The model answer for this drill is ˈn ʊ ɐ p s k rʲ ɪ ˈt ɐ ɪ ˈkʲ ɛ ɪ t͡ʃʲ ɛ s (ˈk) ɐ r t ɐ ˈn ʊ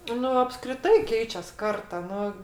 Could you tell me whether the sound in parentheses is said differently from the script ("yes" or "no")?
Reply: no